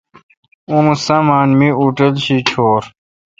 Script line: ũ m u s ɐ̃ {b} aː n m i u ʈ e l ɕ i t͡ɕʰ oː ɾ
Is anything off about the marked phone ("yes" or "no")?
yes